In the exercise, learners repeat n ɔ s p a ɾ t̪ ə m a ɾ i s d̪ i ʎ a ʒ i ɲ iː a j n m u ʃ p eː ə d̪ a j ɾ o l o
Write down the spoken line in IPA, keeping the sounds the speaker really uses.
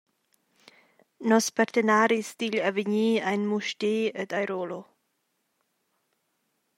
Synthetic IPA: n ɔ s p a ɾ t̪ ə n a ɾ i s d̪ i ʎ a v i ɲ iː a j n m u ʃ t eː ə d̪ a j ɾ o l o